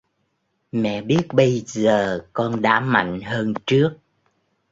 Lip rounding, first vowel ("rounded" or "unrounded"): unrounded